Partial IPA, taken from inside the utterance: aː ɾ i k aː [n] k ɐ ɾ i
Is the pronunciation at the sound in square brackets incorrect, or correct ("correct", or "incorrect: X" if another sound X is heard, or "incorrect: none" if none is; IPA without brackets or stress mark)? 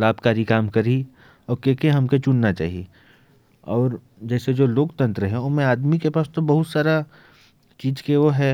incorrect: m